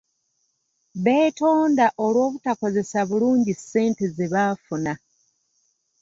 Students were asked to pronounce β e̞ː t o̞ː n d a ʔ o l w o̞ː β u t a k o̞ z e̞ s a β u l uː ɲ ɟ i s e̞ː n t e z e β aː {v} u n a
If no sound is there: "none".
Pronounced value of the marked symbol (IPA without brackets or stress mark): f